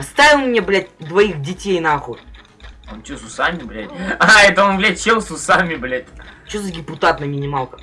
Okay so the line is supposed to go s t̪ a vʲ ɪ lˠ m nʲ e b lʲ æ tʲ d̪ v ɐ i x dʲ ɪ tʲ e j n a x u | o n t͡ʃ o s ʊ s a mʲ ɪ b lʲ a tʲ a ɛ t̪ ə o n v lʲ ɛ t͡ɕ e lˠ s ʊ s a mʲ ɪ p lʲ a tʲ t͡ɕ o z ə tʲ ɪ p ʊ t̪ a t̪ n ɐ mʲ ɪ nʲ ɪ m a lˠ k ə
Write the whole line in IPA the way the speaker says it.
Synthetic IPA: s t̪ a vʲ ɪ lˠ m nʲ e b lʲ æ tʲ d̪ v ɐ i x dʲ ɪ tʲ e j n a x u | o n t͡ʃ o s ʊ s a mʲ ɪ b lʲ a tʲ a ɛ t̪ ə o n v lʲ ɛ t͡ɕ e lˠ s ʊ s a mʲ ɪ b lʲ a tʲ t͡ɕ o z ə dʲ ɪ p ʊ t̪ a t̪ n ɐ mʲ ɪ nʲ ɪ m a lˠ k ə